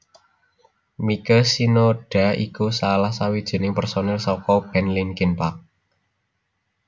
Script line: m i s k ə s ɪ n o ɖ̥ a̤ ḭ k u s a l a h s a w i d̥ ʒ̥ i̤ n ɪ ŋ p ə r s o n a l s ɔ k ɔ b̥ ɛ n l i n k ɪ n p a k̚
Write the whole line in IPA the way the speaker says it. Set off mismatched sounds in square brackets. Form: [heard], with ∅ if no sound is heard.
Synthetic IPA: m i [∅] k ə s [i] n o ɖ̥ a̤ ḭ k u s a l a h s a w i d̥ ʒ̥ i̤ n ɪ ŋ p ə r s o n [ɛ] l s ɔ k ɔ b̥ ɛ n l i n k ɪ n p a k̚